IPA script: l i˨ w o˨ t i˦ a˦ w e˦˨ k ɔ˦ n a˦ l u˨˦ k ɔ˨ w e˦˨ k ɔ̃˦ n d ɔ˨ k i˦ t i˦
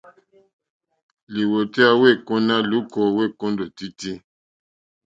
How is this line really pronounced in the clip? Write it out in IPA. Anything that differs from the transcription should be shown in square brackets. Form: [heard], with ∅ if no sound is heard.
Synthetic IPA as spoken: l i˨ w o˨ t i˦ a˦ w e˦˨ k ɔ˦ n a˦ l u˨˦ k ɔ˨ w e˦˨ k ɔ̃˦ n d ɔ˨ [t] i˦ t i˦